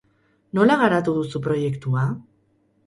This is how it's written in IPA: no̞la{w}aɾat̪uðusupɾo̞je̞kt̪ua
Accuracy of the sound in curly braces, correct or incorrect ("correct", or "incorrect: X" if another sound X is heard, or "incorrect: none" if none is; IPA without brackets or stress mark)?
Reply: incorrect: ɣ